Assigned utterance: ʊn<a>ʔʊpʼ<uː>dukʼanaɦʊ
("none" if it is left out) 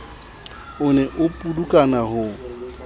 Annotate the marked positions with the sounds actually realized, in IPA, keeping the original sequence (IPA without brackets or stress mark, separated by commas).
ɛ, u